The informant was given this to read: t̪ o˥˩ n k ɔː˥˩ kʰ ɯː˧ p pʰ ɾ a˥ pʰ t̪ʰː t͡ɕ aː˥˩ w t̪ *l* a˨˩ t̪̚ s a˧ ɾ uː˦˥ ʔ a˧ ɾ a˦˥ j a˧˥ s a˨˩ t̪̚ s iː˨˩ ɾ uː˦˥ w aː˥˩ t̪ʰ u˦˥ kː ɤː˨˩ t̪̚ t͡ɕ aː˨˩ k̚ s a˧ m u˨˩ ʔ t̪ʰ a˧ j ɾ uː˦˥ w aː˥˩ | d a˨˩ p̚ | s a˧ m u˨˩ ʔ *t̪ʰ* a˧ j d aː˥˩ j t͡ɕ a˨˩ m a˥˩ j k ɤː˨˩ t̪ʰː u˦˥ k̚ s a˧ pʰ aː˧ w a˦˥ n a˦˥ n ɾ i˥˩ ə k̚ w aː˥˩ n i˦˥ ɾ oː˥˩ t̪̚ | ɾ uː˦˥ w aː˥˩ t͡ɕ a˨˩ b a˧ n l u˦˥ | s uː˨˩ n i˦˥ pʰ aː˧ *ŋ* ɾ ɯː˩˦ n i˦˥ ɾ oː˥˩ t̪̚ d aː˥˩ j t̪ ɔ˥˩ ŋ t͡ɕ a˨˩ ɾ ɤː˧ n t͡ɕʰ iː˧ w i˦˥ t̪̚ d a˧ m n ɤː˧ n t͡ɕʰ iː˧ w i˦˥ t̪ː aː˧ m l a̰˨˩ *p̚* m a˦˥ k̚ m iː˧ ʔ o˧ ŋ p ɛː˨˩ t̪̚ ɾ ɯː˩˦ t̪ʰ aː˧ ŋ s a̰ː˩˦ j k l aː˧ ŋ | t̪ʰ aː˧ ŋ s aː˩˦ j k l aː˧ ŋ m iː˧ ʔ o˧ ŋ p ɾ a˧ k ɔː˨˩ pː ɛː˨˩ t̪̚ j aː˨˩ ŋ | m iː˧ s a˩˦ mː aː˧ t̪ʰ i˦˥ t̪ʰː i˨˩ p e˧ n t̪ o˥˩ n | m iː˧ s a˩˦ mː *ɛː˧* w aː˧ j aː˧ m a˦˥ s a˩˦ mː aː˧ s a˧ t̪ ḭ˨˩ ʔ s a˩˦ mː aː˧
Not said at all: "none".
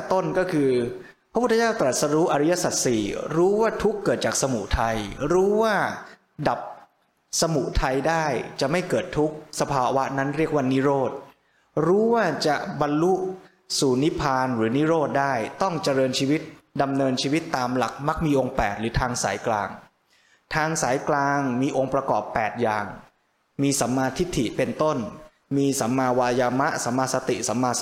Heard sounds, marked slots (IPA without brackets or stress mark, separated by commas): ɾ, t̪ʰ, n, k̚, aː˧